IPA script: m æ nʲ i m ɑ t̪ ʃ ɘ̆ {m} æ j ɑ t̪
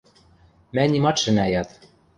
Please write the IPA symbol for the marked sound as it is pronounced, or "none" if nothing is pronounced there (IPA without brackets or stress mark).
n